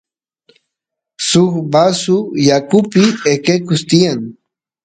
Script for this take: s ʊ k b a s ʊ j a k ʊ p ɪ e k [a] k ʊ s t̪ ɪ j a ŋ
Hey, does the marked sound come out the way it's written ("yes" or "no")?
no